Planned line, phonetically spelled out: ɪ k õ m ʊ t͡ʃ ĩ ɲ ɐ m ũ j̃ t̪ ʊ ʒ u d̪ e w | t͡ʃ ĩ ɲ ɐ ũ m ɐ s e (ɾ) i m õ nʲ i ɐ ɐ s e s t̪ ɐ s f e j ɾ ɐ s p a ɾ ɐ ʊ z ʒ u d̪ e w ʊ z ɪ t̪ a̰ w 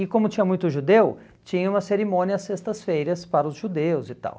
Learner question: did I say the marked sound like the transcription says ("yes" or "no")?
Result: yes